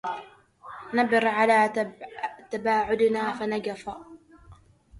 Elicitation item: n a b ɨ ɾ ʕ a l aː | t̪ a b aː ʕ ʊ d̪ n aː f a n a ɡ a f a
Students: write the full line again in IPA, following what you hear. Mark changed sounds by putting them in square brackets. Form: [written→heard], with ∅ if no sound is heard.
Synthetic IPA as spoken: n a b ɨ ɾ ʕ a l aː | t̪ a b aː ʕ ʊ d̪ n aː f a n a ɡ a f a